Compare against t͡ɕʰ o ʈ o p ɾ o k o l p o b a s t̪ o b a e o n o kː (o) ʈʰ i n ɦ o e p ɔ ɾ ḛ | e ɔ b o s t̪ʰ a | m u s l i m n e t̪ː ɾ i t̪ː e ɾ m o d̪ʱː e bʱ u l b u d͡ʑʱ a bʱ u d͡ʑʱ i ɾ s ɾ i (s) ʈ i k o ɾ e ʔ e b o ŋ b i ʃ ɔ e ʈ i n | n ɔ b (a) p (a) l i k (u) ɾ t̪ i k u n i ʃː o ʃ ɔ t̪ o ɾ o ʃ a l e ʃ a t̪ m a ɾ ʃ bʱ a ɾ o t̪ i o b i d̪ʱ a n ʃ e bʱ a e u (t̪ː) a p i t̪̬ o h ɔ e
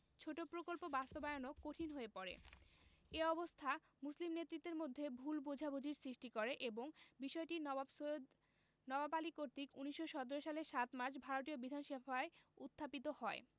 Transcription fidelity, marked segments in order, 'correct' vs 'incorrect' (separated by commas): correct, incorrect, correct, correct, incorrect, incorrect